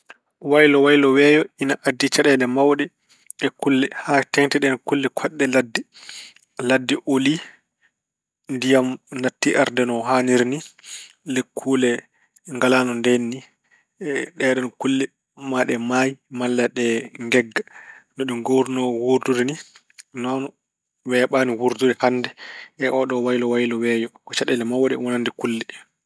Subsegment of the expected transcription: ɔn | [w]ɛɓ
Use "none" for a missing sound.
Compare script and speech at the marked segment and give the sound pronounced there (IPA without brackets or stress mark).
w